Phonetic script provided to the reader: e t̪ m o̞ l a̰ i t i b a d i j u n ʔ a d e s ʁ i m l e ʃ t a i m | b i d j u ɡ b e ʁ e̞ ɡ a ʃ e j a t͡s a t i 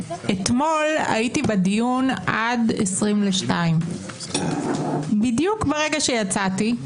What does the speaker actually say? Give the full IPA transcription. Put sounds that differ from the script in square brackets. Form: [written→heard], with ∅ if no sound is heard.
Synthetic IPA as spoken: e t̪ m o̞ l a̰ i t i b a d i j u n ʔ a d e s ʁ i m l e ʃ t a i m | b i d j u [ɡ→k] b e ʁ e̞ ɡ a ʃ e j a t͡s a t i